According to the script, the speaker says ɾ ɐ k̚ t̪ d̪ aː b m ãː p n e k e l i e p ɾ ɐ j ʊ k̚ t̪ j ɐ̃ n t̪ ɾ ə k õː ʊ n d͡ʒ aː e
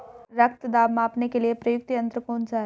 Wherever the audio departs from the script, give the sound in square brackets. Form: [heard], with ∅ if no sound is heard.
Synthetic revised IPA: ɾ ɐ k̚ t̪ d̪ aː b m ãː p n e k e l i e p ɾ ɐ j ʊ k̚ t̪ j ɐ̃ n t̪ ɾ ə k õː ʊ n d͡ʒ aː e